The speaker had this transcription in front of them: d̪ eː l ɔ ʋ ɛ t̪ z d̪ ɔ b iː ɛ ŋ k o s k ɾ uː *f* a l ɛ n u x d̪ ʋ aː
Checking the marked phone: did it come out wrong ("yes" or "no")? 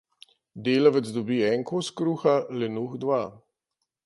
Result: yes